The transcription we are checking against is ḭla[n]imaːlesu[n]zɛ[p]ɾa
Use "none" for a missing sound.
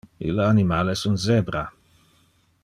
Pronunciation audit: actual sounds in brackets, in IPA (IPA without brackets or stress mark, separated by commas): n, n, b